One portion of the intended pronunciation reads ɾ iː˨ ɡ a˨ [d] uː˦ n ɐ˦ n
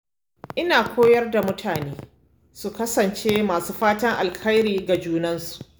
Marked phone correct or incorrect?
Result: incorrect